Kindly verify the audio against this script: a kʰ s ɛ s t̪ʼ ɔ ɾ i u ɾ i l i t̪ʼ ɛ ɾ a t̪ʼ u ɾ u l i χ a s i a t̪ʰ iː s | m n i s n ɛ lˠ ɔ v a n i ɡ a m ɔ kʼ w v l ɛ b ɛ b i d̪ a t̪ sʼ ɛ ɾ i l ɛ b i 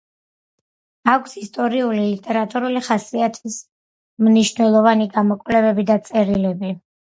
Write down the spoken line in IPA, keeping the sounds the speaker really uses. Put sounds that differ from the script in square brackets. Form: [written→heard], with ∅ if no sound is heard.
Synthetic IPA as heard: a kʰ s [ɛ→i] s t̪ʼ ɔ ɾ i u [ɾ→l] i l i t̪ʼ ɛ ɾ a t̪ʼ u ɾ u l i χ a s i a t̪ʰ [iː→i] s | m n i [s→ʃ] n ɛ lˠ ɔ v a n i ɡ a m ɔ kʼ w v l ɛ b ɛ b i d̪ a t̪ sʼ ɛ ɾ i l ɛ b i